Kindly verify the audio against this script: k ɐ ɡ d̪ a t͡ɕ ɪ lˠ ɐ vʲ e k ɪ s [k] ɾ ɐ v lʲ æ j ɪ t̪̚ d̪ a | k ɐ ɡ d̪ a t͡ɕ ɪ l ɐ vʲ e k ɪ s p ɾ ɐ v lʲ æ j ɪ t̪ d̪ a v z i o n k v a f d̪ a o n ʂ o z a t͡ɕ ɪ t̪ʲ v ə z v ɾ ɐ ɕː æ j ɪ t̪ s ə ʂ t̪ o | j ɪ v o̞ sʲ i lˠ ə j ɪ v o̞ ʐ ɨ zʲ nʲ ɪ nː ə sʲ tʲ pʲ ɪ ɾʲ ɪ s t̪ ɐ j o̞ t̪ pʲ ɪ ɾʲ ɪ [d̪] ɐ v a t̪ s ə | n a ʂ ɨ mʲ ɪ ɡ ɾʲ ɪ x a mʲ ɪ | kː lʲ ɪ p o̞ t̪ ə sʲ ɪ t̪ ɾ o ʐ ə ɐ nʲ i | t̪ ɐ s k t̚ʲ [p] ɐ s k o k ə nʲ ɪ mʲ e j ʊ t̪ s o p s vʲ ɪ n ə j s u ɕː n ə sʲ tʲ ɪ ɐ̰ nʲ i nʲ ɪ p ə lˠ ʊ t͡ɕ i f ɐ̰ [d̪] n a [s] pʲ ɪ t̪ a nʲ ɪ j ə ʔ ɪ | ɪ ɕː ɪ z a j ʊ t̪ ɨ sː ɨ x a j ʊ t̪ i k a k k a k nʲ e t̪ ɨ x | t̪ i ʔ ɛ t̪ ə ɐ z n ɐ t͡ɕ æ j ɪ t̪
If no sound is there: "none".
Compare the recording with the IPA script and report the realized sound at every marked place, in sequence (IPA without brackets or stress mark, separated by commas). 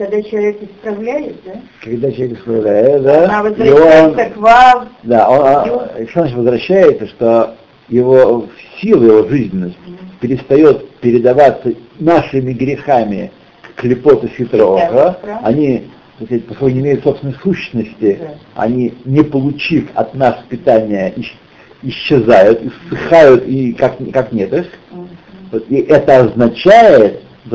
p, d̪, p, t̪, s